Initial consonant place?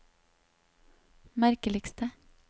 labial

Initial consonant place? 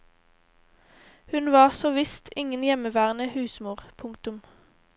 glottal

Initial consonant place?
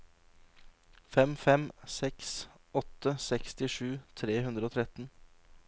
labial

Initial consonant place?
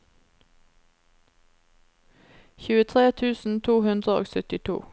palatal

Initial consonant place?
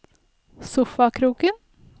alveolar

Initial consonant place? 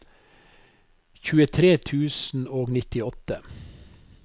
palatal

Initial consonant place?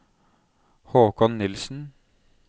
glottal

